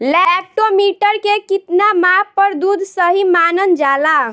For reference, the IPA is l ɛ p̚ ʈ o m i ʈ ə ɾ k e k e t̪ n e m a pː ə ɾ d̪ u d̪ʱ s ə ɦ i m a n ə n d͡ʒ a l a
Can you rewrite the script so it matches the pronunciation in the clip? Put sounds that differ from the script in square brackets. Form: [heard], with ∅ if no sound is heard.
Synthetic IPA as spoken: l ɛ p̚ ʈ o m i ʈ ə ɾ k e k [i] t̪ n [a] m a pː ə ɾ d̪ u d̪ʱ s ə ɦ i m a n ə n d͡ʒ a l a

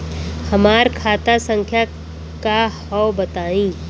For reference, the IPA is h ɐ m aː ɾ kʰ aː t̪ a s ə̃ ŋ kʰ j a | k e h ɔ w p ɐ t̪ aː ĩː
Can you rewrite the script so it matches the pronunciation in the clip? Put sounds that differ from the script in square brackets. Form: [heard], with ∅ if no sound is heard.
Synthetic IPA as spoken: h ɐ m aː ɾ kʰ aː t̪ a s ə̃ ŋ kʰ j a | k [a] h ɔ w [b] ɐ t̪ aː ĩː

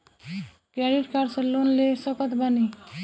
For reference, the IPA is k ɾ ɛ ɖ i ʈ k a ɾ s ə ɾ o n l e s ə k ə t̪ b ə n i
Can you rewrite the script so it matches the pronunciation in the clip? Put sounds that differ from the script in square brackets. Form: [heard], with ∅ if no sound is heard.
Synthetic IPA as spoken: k ɾ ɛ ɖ i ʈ k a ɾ s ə [l] o n l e s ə k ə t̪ b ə n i

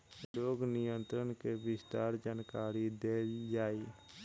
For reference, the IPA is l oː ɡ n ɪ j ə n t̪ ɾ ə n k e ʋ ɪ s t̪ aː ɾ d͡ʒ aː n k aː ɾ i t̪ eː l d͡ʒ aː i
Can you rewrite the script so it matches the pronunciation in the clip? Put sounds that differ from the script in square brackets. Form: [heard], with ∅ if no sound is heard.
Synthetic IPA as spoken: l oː ɡ n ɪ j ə n t̪ ɾ ə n k e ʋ ɪ s t̪ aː ɾ d͡ʒ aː n k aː ɾ i [d̪] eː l d͡ʒ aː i

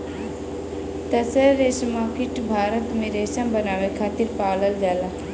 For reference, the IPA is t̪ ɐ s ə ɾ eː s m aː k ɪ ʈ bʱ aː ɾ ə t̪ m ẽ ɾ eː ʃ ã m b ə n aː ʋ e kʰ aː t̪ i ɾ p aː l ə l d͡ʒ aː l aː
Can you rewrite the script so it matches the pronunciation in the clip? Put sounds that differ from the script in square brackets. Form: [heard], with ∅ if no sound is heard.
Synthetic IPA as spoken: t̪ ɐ s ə ɾ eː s m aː k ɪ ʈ bʱ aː ɾ ə t̪ m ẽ ɾ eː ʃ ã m b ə n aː ʋ e kʰ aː t̪ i ɾ p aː l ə l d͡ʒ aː l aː

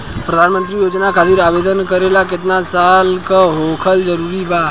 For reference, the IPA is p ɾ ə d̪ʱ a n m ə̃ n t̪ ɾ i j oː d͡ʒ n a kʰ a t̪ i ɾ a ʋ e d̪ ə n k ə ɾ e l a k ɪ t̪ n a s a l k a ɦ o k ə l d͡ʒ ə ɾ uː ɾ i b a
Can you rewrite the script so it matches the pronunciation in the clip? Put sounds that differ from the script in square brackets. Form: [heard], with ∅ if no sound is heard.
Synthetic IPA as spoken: p ɾ ə d̪ʱ a n m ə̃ n t̪ ɾ i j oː d͡ʒ n a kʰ a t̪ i ɾ a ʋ e d̪ ə n k ə ɾ e l a k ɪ t̪ n a s a l k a ɦ o [kʰ] ə l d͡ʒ ə ɾ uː ɾ i b a

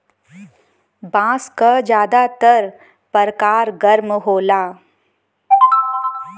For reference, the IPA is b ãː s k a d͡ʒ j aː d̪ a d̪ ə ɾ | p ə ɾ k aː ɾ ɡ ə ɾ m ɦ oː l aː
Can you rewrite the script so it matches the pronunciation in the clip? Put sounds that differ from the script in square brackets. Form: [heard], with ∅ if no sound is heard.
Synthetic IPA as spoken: b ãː s k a d͡ʒ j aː d̪ a [t̪] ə ɾ | p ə ɾ k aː ɾ ɡ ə ɾ m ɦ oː l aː

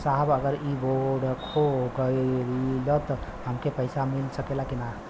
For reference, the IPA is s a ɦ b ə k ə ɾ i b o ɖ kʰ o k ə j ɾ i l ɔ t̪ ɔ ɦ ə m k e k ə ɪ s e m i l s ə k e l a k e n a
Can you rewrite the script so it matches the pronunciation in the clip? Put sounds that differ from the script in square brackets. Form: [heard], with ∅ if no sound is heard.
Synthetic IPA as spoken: s a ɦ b ə [ɡ] ə ɾ i b o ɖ kʰ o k ə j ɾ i l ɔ t̪ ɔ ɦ ə m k e [p] ə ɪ s [a] m i l s ə k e l a k [i] n a

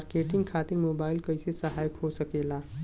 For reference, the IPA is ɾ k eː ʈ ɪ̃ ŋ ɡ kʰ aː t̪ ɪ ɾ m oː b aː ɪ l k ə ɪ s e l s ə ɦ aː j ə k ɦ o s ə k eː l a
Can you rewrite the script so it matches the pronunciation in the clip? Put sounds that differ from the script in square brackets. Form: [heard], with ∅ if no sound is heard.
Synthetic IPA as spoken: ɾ k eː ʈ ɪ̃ ŋ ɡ kʰ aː t̪ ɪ ɾ m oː b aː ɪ l k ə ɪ s e [∅] s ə ɦ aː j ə k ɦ o s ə k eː l a

